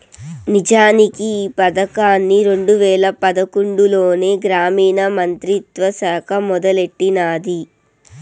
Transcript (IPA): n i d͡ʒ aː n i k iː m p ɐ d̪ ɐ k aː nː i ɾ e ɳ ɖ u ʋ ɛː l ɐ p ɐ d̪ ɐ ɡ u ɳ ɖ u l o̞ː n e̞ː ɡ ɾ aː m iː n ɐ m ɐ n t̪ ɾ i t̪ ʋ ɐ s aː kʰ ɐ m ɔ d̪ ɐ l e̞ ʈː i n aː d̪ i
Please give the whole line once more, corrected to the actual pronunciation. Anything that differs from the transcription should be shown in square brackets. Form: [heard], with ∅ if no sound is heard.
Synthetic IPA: n i d͡ʒ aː n i k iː [∅] p ɐ d̪ ɐ k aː nː i ɾ e ɳ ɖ u ʋ ɛː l ɐ p ɐ d̪ ɐ [k] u ɳ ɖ u l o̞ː n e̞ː ɡ ɾ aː m iː n ɐ m ɐ n t̪ ɾ i t̪ ʋ ɐ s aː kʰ ɐ m ɔ d̪ ɐ l e̞ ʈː i n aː d̪ i